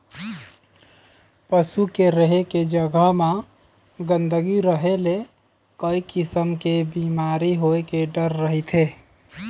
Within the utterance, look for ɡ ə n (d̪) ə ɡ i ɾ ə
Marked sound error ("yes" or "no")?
no